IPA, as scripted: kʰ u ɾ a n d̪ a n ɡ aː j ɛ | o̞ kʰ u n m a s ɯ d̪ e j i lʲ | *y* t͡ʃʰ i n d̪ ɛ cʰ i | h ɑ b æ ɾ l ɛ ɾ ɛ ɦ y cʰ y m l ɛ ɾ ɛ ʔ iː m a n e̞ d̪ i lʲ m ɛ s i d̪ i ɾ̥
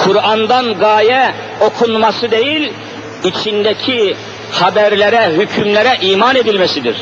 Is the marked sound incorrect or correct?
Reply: incorrect